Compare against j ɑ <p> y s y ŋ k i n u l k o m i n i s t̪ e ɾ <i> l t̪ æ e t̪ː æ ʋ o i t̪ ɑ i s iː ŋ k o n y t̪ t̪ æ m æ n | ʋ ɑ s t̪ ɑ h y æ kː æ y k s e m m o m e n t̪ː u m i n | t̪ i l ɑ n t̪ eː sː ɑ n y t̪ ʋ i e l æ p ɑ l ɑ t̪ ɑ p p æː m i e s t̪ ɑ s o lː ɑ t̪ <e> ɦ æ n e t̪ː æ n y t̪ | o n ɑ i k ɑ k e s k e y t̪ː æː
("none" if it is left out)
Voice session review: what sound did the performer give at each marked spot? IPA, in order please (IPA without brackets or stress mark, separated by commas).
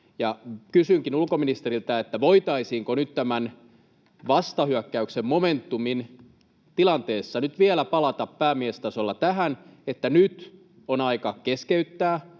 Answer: k, i, æ